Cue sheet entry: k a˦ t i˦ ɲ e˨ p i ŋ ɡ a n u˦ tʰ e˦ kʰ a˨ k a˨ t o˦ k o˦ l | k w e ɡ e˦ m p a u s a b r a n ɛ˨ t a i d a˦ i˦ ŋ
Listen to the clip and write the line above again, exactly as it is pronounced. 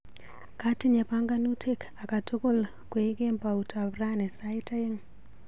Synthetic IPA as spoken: k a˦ t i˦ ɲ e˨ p a ŋ ɡ a n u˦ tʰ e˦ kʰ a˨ k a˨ t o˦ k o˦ l | k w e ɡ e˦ m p a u t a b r a n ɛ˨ s a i t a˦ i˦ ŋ